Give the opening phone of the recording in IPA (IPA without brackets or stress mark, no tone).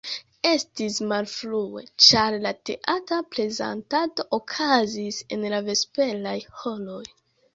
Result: e̞